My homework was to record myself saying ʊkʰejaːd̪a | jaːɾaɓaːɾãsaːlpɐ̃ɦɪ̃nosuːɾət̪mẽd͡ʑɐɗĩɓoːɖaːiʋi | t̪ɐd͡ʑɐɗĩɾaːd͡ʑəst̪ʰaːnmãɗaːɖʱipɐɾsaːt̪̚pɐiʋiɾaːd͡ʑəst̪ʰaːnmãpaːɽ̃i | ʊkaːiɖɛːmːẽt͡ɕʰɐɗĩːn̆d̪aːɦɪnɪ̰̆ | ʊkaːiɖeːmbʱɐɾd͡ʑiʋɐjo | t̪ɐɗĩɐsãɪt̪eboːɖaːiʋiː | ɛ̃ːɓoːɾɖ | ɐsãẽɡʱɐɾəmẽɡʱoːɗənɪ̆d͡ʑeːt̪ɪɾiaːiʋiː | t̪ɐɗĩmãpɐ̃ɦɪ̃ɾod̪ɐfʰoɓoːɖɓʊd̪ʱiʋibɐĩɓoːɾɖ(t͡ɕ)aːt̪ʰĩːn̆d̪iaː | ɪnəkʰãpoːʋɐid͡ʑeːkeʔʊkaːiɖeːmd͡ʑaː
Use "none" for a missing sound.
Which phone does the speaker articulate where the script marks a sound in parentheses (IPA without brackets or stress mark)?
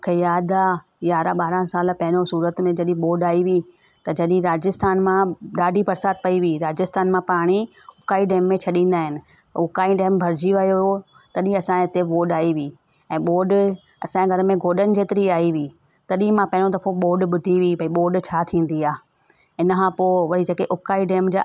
t͡ɕʰ